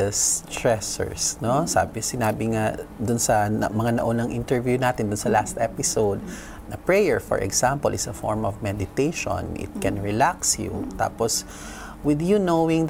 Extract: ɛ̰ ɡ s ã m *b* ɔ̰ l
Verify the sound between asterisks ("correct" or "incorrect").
incorrect